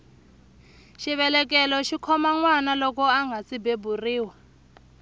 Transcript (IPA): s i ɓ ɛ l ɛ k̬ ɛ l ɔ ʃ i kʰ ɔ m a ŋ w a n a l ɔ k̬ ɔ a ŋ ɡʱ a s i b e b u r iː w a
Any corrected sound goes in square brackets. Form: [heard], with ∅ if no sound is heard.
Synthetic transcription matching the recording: [ʃ] i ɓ ɛ l ɛ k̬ ɛ l ɔ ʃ i kʰ ɔ m a ŋ w a n a l ɔ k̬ ɔ a ŋ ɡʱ a s i b e b u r iː w a